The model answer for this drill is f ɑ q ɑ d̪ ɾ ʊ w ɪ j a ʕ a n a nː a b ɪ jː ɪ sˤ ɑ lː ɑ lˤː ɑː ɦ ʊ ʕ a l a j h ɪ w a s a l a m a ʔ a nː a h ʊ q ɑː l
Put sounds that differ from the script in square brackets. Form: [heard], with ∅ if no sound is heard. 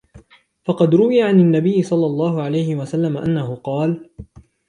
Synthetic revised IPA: f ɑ q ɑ d̪ ɾ ʊ w ɪ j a ʕ a n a nː a b ɪ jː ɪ sˤ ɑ lː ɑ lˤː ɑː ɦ ʊ ʕ a l a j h ɪ w a s a [lː] a m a ʔ a nː a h ʊ q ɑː l